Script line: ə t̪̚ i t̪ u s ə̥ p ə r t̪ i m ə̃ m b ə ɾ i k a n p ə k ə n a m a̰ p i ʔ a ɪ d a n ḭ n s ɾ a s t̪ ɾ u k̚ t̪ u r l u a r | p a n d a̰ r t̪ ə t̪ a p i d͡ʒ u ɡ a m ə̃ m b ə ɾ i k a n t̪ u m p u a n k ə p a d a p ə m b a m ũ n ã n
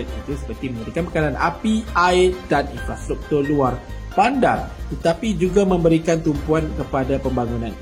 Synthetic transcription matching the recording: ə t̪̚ i t̪ u s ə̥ p ə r t̪ i m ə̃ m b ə ɾ i k a n p ə k a n a n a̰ p i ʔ a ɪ d a n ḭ n f ɾ a s t̪ ɾ u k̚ t̪ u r l u a r | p a n d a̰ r t̪ ə t̪ a p i d͡ʒ u ɡ a m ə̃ m b ə ɾ i k a n t̪ u m p u a n k ə p a d a p ə m b a ŋ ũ n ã n